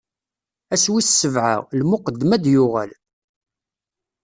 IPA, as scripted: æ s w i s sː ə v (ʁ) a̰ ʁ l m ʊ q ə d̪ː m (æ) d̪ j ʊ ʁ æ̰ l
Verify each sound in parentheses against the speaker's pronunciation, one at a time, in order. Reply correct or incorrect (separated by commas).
incorrect, correct